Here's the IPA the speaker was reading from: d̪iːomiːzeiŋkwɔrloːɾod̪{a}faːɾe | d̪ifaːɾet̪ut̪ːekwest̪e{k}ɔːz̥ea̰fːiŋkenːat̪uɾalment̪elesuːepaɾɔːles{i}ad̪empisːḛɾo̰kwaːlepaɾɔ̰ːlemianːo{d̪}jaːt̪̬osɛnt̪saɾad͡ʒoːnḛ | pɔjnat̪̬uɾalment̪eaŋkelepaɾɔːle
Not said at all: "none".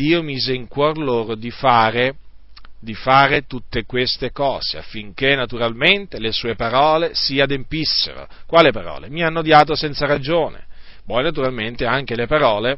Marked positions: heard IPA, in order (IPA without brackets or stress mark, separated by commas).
i, k, i, d̪